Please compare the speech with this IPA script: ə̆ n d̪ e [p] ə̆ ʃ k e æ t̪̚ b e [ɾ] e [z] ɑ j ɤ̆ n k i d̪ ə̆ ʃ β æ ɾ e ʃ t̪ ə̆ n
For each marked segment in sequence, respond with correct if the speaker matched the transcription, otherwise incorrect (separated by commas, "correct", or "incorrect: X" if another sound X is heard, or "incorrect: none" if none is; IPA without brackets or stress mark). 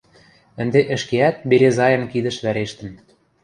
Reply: incorrect: ʔ, correct, correct